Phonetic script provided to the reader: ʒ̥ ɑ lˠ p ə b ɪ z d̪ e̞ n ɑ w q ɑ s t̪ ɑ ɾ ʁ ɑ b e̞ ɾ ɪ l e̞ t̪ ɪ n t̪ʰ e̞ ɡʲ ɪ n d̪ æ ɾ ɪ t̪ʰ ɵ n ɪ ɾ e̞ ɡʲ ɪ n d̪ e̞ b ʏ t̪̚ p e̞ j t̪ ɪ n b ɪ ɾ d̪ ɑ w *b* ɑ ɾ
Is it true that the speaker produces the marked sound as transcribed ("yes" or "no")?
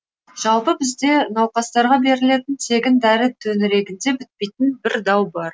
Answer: yes